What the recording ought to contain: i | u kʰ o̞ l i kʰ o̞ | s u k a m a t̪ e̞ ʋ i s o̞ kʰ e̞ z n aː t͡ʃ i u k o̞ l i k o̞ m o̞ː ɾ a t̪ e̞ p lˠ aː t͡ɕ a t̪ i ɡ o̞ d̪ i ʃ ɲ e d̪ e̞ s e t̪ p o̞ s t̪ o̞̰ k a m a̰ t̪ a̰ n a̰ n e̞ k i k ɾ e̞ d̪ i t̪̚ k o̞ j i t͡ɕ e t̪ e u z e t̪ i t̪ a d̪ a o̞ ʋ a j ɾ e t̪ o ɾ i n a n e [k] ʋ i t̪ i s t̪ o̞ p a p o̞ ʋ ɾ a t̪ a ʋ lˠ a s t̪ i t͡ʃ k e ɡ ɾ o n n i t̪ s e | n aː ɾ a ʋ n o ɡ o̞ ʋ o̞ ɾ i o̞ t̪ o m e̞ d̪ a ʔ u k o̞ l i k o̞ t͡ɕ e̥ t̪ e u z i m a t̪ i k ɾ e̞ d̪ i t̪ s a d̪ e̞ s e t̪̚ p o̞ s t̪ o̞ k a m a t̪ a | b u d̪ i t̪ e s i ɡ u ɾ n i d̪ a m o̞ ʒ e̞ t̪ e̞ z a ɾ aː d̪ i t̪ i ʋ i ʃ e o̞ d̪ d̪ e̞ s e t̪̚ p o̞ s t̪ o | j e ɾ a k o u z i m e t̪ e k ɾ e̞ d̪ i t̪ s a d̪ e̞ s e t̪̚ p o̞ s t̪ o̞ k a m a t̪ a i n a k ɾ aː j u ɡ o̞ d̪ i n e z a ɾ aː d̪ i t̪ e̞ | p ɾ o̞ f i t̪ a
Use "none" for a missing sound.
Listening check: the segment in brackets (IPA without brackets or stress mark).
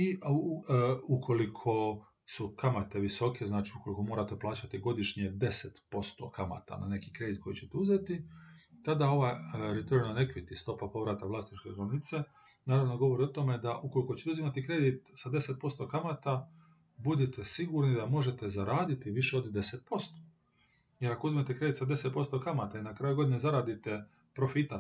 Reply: k